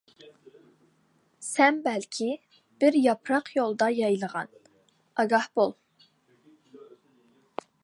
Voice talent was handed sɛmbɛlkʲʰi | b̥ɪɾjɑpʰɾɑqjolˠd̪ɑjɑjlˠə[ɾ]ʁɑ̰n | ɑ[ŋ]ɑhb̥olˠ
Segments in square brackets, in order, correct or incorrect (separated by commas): incorrect, incorrect